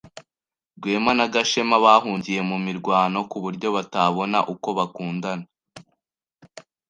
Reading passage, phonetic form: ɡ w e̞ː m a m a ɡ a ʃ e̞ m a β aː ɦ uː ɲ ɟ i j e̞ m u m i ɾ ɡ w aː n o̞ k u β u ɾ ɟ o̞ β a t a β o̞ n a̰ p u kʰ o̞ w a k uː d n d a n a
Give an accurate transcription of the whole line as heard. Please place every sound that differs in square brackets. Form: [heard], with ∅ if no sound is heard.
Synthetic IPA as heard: ɡ w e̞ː m a [n] a ɡ a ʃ e̞ m a β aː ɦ uː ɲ ɟ i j e̞ m u m i ɾ ɡ w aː n o̞ k u β u ɾ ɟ o̞ β a t a β o̞ n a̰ [ʔ] u [k] o̞ [β] a k uː [∅] n d a n a